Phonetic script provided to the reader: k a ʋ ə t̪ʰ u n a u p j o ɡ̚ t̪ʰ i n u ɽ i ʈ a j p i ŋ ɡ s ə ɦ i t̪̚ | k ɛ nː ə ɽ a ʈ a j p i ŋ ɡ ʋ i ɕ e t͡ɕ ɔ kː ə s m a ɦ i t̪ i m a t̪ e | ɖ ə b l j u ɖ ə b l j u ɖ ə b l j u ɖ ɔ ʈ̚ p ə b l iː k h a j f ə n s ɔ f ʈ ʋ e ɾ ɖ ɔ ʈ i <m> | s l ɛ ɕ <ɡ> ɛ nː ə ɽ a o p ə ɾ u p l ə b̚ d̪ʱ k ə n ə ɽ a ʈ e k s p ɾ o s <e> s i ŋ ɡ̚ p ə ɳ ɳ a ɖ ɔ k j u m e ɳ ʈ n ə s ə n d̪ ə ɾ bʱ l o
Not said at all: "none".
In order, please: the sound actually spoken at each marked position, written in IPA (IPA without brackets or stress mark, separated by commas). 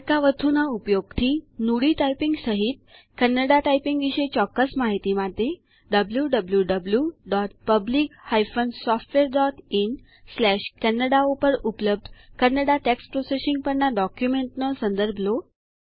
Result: n, k, e